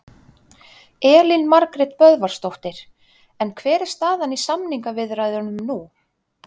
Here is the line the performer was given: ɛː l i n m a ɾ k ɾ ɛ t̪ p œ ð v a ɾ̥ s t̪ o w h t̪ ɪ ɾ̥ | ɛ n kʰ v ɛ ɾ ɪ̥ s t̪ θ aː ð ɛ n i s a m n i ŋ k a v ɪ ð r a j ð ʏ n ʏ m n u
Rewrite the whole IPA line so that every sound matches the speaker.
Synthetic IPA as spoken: ɛː l i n m a ɾ k ɾ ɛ t̪ p œ ð v a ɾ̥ s t̪ o w h t̪ ɪ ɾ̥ | ɛ n kʰ v ɛː ɾ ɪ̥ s t̪ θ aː ð a n i s a m n i ŋ k a v ɪ ð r a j ð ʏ n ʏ m n u